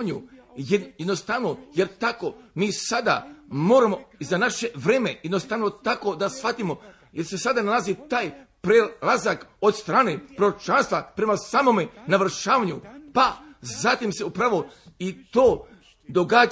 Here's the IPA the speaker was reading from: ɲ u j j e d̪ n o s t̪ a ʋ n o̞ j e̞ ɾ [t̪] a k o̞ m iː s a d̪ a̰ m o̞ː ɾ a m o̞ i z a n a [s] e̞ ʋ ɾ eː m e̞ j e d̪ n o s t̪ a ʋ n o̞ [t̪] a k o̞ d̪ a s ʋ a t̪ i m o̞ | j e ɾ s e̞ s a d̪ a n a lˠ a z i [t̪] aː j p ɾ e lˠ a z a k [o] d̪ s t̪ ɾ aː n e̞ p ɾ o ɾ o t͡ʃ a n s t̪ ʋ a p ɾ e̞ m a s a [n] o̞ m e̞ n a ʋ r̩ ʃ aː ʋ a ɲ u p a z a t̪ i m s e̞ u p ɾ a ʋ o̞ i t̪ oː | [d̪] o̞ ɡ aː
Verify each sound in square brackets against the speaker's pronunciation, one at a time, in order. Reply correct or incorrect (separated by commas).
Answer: correct, incorrect, correct, correct, correct, incorrect, correct